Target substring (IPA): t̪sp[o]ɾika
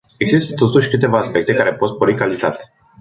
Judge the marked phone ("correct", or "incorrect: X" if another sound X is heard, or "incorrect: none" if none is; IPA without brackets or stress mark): correct